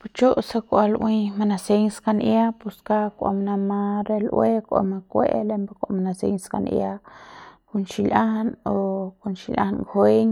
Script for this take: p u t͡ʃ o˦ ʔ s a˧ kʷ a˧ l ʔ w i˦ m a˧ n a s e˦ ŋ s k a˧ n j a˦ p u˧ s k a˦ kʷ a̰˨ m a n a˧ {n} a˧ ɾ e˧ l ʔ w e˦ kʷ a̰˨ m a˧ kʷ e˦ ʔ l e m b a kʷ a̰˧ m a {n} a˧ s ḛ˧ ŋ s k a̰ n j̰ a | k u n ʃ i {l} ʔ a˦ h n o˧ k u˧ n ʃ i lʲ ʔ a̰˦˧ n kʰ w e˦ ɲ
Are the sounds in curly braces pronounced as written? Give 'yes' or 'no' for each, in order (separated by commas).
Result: no, yes, yes